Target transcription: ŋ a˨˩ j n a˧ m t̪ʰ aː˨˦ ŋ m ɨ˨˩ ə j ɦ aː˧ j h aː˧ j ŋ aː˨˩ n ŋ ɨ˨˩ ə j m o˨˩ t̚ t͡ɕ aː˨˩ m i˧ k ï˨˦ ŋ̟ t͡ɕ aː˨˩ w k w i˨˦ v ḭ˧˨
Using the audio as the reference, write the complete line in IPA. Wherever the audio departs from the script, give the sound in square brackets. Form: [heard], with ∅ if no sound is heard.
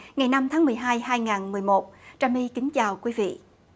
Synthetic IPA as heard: ŋ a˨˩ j n a˧ m t̪ʰ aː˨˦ ŋ m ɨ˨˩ ə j ɦ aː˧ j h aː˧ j ŋ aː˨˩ n [m] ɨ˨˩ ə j m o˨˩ t̚ t͡ɕ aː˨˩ m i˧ k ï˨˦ ŋ̟ t͡ɕ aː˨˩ w k w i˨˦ v ḭ˧˨